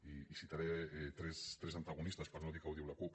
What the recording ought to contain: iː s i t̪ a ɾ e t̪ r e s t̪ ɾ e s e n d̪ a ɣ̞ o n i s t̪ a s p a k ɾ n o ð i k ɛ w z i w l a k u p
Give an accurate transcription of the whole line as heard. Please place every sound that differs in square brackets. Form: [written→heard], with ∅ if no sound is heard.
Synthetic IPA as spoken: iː s i t̪ a ɾ e t̪ [r→ɾ] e s t̪ ɾ e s [e→a] n [d̪→t̪] a ɣ̞ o n i s t̪ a s p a [k→∅] ɾ n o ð i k [ɛ→a] w [z→ð] i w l a k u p